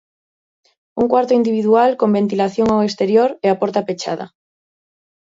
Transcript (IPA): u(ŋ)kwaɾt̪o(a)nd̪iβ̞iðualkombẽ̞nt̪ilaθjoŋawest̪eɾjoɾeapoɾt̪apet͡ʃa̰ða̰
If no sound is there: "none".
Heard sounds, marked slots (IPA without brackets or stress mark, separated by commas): ŋ, i